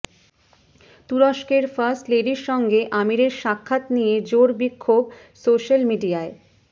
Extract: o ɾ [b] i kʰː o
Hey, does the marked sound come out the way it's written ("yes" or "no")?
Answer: yes